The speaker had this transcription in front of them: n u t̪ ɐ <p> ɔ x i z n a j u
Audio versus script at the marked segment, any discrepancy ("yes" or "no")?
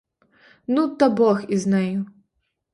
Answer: yes